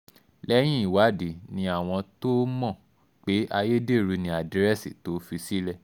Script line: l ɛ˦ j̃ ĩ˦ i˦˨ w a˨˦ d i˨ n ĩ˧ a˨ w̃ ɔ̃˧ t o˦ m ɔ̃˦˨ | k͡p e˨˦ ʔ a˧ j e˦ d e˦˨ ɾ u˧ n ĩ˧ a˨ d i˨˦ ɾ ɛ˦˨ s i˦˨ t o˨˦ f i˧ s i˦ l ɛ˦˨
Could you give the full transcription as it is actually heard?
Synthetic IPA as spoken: l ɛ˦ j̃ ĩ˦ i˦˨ w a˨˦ d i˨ n ĩ˧ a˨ w̃ ɔ̃˧ t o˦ m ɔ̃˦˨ | k͡p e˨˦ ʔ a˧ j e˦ d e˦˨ ɾ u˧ n ĩ˧ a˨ d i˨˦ ɾ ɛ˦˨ s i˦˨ t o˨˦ f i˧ s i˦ l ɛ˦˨